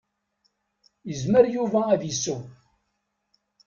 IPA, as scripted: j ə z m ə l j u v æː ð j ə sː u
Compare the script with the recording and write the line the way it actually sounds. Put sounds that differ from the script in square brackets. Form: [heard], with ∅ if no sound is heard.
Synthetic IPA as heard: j ə z m ə [ɾ] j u v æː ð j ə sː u